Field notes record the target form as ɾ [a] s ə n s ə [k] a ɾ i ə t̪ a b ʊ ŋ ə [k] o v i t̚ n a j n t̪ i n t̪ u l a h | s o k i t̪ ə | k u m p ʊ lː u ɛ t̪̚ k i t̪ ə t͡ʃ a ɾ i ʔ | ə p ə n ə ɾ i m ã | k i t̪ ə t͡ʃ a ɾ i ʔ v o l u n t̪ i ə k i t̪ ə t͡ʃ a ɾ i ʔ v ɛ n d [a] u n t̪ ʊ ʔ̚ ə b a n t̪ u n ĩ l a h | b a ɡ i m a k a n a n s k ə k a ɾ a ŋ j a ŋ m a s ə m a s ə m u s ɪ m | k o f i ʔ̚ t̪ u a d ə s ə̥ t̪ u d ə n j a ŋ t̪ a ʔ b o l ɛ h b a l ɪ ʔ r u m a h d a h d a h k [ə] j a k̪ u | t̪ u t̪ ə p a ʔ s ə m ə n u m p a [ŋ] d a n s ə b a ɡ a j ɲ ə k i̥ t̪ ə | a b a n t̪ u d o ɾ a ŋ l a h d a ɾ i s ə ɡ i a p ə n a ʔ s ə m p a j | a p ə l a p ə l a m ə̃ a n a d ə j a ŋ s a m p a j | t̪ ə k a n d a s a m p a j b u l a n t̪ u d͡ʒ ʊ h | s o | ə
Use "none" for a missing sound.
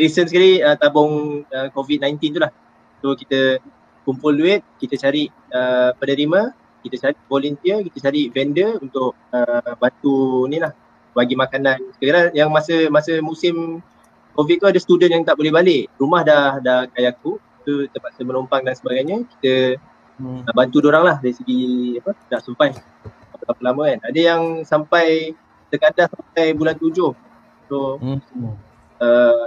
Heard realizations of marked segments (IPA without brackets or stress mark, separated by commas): i, k, k, ə, a, ŋ